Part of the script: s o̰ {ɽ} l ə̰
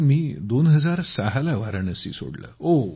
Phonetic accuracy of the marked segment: correct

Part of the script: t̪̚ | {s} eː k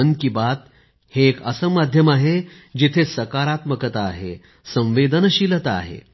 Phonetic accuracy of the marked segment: incorrect: h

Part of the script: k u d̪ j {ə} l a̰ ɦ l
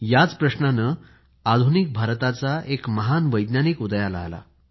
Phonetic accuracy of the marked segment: incorrect: a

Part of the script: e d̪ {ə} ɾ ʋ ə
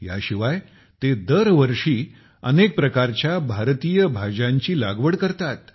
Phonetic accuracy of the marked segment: correct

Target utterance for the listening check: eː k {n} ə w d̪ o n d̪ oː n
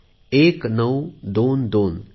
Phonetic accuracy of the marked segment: correct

